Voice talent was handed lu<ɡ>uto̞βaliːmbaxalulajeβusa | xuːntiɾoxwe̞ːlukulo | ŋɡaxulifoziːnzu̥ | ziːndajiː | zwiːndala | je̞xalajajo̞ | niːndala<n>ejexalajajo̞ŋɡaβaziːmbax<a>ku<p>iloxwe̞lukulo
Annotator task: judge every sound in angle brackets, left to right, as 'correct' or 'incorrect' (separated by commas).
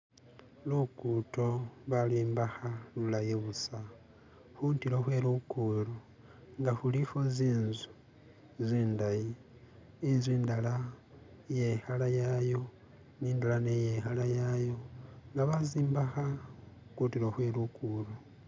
incorrect, correct, correct, incorrect